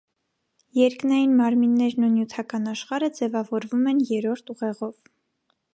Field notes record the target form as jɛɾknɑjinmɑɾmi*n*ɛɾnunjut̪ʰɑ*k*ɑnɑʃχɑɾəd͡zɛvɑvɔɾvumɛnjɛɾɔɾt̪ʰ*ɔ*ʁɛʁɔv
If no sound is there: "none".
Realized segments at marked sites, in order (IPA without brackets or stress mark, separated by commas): nː, k, u